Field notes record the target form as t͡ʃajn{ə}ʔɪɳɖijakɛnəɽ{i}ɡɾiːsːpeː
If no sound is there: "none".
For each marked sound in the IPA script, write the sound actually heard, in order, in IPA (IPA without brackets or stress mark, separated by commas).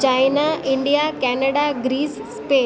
a, a